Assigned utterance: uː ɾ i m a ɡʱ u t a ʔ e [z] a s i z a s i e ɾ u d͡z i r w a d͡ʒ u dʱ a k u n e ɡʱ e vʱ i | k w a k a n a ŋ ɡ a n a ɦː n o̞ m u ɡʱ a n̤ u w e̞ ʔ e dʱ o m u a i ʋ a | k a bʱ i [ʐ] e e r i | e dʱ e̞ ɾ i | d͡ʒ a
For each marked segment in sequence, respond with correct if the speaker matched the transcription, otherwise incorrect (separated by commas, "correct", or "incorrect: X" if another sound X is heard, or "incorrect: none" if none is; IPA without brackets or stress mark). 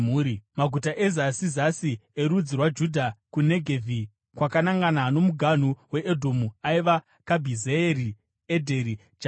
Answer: correct, incorrect: z